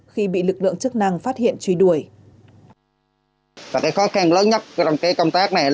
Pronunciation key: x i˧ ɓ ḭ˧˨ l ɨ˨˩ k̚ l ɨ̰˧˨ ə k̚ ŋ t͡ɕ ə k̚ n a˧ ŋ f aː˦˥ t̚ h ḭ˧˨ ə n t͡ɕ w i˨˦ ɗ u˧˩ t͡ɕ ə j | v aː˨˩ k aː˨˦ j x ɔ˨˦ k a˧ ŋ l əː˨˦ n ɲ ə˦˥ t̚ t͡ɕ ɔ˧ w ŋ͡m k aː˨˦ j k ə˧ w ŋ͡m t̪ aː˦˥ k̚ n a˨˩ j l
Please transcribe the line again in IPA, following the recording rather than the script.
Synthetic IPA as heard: x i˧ ɓ ḭ˧˨ l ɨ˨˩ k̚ l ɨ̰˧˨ ə ŋ t͡ɕ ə k̚ n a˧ ŋ f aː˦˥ t̚ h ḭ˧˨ ə n t͡ɕ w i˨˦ ɗ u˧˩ ə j | v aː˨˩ k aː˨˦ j x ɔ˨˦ x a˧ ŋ l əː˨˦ n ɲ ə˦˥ t̚ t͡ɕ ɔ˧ w ŋ͡m k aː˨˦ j k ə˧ w ŋ͡m t̪ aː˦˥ k̚ n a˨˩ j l